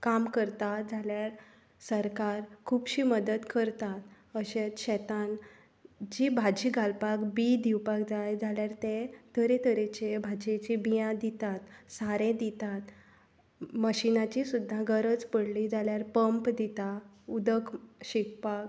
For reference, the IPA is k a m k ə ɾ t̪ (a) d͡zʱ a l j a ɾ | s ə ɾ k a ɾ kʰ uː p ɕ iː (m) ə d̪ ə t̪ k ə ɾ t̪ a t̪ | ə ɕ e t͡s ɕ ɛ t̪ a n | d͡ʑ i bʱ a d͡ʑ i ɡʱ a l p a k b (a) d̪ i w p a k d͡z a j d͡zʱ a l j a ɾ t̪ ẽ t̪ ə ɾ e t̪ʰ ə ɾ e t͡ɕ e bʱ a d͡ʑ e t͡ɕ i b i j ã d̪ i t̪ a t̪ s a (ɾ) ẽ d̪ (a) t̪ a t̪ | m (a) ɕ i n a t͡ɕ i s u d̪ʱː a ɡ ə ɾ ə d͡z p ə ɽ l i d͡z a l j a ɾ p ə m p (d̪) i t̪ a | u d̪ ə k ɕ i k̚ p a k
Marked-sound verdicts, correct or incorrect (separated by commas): correct, correct, incorrect, correct, incorrect, incorrect, correct